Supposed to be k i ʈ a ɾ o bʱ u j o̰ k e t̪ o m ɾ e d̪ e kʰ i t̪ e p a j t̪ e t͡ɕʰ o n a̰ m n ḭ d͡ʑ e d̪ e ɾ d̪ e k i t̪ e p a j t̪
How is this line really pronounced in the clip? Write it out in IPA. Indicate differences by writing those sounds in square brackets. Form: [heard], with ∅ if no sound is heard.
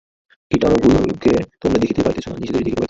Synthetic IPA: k i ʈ a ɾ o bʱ u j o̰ k e t̪ o m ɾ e d̪ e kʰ i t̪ e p a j t̪ e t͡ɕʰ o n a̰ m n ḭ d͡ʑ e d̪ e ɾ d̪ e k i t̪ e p a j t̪